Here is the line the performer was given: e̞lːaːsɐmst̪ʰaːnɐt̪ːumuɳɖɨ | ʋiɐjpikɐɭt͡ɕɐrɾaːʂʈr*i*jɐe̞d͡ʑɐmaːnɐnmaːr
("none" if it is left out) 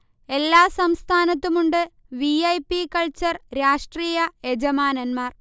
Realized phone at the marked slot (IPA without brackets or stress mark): iː